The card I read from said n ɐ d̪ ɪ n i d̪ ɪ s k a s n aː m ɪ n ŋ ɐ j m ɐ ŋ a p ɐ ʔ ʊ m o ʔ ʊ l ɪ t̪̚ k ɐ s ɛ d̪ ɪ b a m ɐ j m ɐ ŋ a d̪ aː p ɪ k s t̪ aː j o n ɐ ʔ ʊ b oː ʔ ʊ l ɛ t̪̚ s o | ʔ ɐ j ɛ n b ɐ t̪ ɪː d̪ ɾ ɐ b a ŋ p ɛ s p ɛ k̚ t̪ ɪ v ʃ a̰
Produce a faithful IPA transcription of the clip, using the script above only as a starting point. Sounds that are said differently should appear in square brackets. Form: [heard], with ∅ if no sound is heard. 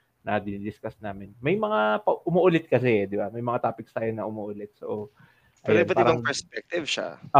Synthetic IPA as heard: n ɐ d̪ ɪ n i d̪ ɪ s k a s n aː m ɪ n [m] ɐ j m ɐ ŋ a p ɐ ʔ ʊ m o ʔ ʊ l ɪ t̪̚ k ɐ s ɛ d̪ ɪ b a m ɐ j m ɐ ŋ a [t̪] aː p ɪ k s t̪ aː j o n ɐ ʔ ʊ [m] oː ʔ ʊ l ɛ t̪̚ s o | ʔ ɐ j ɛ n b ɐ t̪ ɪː [∅] ɾ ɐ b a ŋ p ɛ s p ɛ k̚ t̪ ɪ v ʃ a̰